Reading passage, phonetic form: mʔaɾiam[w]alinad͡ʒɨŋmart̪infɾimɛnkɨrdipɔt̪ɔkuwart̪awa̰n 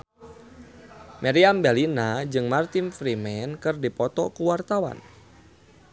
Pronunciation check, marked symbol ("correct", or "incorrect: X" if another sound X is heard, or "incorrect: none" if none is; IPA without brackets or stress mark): incorrect: b